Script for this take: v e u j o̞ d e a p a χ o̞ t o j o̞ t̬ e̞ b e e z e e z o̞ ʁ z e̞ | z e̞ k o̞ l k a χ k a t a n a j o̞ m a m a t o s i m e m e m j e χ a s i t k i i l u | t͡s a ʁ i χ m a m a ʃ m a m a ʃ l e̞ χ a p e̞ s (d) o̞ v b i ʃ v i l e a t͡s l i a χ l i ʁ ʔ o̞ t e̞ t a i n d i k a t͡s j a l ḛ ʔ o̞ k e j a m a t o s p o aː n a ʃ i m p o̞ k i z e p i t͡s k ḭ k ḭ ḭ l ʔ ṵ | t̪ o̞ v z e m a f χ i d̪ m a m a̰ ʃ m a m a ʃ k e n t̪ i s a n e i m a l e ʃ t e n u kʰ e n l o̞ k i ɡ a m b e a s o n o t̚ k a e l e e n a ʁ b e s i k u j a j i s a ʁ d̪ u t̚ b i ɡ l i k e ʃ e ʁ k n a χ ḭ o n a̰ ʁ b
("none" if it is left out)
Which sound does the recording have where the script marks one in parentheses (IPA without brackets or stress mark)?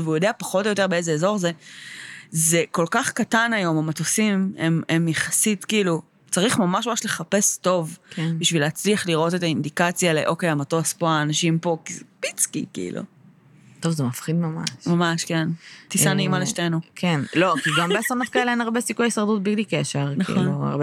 t